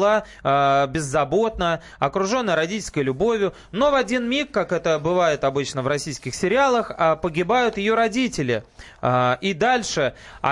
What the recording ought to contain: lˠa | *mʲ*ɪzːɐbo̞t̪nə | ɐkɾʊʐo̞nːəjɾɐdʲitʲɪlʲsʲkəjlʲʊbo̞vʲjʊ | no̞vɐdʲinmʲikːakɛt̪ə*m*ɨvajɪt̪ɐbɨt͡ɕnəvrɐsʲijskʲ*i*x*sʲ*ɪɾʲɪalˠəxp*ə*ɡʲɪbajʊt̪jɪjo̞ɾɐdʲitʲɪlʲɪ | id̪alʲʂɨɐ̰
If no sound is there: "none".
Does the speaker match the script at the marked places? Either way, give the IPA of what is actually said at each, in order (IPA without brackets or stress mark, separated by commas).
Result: bʲ, b, ɪ, sʲ, ə